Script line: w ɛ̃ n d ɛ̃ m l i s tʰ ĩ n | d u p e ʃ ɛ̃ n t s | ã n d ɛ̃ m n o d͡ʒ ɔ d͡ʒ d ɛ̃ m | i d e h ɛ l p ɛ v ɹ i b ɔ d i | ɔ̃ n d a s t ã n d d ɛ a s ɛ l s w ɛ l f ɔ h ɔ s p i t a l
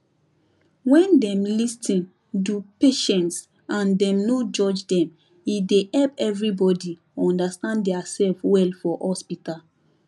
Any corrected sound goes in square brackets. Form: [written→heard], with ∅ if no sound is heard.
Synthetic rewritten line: w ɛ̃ n d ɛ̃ m l i s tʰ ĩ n | d u p e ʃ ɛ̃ n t s | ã n d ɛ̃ m n o d͡ʒ ɔ d͡ʒ d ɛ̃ m | i d e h ɛ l p ɛ v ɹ i b ɔ d i | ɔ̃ n d a s t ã n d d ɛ a s ɛ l [s→f] w ɛ l f ɔ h ɔ s p i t a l